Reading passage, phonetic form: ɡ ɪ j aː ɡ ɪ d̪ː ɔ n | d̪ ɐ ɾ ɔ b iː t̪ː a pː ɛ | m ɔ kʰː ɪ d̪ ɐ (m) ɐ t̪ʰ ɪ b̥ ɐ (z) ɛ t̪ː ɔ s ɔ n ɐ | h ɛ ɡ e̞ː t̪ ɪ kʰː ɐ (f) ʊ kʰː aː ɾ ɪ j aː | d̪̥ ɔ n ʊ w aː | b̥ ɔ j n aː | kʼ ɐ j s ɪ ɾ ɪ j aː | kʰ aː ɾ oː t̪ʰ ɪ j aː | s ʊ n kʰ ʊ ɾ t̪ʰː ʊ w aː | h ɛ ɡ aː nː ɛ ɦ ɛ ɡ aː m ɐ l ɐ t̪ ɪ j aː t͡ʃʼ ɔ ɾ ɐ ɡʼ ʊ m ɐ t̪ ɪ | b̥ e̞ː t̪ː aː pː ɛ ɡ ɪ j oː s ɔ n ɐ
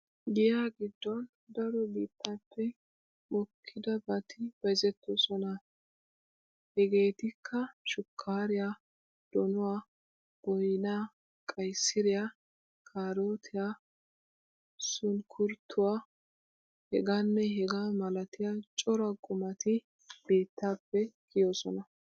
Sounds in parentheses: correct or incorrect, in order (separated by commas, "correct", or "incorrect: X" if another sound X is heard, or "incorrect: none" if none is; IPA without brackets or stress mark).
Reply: incorrect: b, correct, incorrect: ʃ